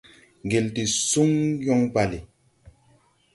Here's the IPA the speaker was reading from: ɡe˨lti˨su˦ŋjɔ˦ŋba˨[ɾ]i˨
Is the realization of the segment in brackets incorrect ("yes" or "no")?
yes